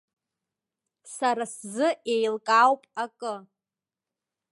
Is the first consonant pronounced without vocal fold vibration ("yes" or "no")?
yes